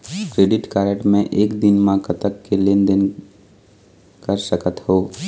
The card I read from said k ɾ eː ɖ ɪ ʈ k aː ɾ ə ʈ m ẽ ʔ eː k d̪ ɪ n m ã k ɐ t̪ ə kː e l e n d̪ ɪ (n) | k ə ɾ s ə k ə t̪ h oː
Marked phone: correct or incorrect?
correct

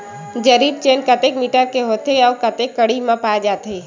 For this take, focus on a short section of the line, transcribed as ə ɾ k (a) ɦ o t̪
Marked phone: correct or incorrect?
incorrect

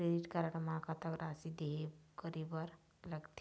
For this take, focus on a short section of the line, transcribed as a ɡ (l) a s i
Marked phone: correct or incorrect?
incorrect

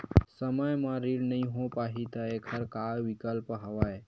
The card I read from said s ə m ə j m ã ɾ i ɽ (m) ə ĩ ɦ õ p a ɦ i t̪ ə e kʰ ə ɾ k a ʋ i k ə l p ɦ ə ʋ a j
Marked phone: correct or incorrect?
incorrect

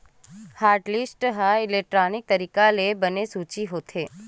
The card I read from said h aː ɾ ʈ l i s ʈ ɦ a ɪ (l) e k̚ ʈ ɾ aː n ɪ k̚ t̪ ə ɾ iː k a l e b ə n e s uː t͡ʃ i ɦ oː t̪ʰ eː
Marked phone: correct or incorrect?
correct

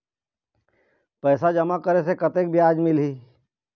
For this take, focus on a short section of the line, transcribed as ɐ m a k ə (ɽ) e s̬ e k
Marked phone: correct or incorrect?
incorrect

